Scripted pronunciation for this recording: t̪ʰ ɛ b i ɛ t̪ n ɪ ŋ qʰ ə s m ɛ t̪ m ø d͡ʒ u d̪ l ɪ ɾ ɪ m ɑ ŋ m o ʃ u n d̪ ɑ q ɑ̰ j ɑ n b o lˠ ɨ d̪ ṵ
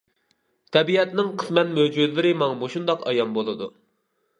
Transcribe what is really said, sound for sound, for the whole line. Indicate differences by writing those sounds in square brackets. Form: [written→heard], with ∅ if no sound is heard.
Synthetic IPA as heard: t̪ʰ ɛ b i ɛ t̪ n ɪ ŋ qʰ ə s m ɛ t̪ m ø d͡ʒ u d̪ l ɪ ɾ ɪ m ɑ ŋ m o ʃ u n d̪ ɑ q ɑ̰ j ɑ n b o lˠ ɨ d̪ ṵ

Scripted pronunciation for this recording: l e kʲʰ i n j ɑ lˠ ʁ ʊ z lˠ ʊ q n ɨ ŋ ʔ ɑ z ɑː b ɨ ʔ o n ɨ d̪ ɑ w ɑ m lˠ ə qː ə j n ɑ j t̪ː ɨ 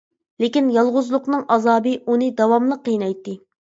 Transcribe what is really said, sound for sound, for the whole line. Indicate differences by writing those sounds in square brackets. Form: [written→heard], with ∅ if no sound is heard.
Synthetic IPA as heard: l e [kʲʰ→kʲ] i n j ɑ lˠ ʁ ʊ z lˠ ʊ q n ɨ ŋ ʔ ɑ z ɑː b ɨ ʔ [o→u] n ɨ d̪ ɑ w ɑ m lˠ ə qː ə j n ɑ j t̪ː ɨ

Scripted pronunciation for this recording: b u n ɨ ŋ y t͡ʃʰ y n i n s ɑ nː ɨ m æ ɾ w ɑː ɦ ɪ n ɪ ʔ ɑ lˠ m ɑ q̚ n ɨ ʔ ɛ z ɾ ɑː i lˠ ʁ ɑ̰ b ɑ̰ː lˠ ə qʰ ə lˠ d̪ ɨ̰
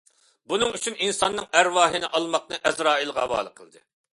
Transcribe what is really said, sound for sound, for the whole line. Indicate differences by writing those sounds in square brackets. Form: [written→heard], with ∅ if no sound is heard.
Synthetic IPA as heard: b u n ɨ ŋ y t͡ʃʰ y n i n s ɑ nː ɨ [m→ŋ] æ ɾ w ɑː ɦ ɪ n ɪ ʔ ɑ lˠ m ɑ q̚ n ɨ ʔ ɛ z ɾ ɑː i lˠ ʁ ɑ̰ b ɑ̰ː lˠ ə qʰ ə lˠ d̪ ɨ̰

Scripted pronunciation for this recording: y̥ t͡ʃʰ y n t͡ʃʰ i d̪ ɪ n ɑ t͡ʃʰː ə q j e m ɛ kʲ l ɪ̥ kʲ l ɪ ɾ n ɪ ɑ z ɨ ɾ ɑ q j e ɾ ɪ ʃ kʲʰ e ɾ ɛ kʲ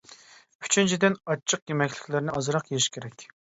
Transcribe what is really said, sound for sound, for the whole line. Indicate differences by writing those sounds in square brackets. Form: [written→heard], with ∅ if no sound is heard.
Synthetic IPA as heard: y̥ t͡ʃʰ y n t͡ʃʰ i d̪ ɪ n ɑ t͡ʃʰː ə q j e m ɛ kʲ l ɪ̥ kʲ l ɪ ɾ n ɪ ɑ z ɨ ɾ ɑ q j e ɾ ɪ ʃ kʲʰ e ɾ ɛ kʲ

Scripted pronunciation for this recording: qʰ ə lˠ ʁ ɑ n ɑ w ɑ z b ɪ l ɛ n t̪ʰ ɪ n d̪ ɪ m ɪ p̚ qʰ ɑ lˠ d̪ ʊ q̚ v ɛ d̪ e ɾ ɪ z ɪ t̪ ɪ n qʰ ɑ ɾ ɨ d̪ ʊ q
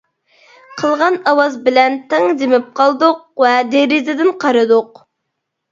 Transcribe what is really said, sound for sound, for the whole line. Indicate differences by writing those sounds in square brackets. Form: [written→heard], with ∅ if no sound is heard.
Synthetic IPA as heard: qʰ ə lˠ ʁ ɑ n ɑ w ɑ z b ɪ l ɛ n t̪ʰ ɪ [n→ŋ] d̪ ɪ m ɪ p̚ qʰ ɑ lˠ d̪ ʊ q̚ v ɛ d̪ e ɾ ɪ z ɪ [t̪→d̪] ɪ n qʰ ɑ ɾ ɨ d̪ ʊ q

